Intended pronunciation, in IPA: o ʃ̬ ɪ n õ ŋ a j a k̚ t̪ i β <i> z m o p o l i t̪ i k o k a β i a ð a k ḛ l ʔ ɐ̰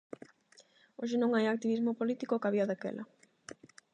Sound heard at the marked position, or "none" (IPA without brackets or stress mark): i